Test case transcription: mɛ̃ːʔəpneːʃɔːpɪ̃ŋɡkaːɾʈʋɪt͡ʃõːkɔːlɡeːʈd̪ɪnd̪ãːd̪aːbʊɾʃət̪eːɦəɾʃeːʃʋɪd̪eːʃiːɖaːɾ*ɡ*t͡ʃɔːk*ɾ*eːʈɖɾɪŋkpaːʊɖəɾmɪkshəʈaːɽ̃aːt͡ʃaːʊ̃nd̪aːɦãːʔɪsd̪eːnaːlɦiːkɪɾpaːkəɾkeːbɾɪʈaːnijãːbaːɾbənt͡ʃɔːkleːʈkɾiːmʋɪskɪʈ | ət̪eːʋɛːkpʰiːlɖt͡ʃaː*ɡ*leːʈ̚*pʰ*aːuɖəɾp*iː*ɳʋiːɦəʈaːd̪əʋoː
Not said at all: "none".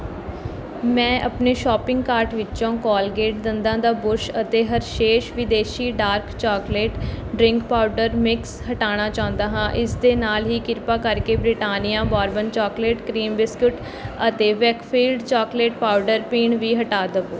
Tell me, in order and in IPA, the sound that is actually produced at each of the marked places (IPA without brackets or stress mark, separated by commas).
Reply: k, l, k, p, iː